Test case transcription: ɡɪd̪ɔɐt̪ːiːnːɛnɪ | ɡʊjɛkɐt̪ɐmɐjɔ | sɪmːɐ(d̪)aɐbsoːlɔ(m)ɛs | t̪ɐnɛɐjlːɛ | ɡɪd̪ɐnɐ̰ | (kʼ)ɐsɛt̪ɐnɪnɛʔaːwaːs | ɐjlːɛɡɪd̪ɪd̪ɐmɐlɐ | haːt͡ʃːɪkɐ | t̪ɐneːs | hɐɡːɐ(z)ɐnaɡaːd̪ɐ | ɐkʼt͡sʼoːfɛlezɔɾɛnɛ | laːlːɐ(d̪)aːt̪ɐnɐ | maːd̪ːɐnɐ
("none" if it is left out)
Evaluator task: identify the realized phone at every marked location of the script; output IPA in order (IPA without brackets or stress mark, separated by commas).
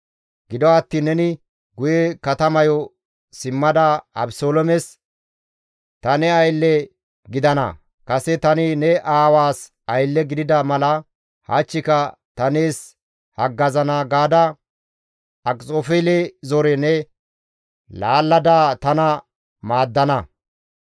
d̪, m, k, z, d̪